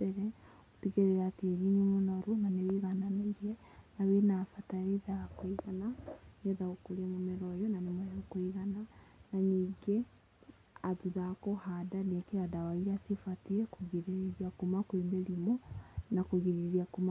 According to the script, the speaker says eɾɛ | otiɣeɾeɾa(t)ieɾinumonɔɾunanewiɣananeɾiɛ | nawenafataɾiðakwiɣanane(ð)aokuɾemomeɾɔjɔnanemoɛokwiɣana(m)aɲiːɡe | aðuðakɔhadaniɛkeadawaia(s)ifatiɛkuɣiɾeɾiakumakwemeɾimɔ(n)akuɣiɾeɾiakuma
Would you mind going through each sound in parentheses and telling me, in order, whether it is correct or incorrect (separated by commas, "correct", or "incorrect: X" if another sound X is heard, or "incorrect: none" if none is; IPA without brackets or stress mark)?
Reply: correct, correct, incorrect: n, correct, correct